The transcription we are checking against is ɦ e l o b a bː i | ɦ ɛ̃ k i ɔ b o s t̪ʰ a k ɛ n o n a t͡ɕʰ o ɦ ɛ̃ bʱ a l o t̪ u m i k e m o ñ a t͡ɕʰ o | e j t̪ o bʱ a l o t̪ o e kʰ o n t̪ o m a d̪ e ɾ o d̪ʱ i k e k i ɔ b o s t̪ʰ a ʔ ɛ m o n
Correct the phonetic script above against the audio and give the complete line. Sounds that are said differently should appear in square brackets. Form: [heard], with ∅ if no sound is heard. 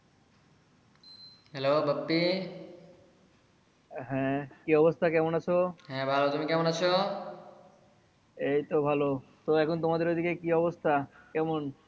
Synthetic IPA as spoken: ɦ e l o b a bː i | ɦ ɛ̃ k i ɔ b o s t̪ʰ a k ɛ [m] o n a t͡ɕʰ o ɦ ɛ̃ bʱ a l o t̪ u m i k [ɛ] m o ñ a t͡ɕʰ o | e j t̪ o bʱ a l o t̪ o [ɛ] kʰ o n t̪ o m a d̪ e ɾ o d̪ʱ i k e k i ɔ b o s t̪ʰ a [k] ɛ m o n